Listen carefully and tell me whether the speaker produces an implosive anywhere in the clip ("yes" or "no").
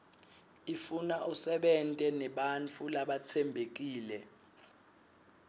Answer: yes